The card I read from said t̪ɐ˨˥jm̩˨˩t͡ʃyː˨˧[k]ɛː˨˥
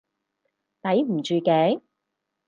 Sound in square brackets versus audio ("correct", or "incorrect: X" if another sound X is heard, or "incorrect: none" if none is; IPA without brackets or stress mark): correct